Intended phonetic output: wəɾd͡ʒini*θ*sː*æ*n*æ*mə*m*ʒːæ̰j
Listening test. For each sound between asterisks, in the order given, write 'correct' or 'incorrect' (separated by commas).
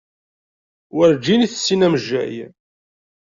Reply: correct, incorrect, correct, incorrect